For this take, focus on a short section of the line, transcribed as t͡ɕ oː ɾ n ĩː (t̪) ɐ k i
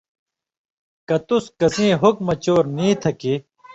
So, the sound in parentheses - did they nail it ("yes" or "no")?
no